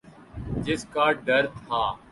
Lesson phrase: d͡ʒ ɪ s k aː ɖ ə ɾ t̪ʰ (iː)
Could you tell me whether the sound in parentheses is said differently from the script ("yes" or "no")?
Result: yes